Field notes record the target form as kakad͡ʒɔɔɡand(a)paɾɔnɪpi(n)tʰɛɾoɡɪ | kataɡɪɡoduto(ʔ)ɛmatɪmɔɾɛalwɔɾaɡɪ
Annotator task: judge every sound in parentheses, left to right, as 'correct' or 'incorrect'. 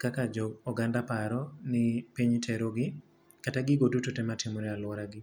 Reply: correct, incorrect: ɲ, incorrect: t

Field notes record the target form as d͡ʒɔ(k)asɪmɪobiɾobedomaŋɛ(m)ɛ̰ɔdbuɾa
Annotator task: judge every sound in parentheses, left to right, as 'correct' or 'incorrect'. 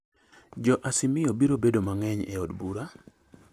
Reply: incorrect: ʔ, incorrect: ɲ

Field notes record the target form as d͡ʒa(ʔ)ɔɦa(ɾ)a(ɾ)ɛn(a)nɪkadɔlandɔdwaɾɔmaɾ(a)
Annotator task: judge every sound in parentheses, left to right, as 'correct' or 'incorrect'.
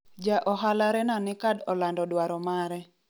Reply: correct, incorrect: l, correct, correct, incorrect: ɛ

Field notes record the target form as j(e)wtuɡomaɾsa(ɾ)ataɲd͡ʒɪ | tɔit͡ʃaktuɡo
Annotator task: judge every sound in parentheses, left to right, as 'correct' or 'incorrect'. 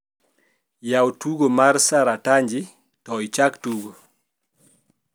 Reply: incorrect: a, correct

